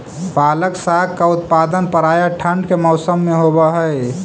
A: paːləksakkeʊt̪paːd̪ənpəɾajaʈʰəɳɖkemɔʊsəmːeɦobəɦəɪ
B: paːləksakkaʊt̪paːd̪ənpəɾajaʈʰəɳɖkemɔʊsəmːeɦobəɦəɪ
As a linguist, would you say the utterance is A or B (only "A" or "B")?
B